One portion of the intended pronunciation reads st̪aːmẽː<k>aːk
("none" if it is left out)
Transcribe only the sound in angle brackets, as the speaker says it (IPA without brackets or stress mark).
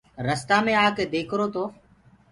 none